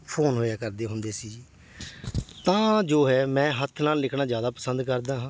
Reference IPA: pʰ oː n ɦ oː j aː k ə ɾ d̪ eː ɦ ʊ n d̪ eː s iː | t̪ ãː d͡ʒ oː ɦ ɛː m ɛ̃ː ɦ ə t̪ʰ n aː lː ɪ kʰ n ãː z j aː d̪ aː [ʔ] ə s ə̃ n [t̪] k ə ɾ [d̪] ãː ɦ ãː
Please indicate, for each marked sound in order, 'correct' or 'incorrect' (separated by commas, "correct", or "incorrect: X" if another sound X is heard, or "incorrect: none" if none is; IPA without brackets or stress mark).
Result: incorrect: p, incorrect: d̪, correct